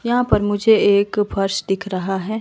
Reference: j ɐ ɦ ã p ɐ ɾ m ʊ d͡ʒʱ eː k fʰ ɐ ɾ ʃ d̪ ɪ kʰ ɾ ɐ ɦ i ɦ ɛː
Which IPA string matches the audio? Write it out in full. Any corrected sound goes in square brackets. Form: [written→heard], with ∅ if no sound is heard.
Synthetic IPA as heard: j ɐ ɦ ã p ɐ ɾ m ʊ d͡ʒʱ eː k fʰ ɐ ɾ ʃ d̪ ɪ kʰ ɾ ɐ ɦ [i→a] ɦ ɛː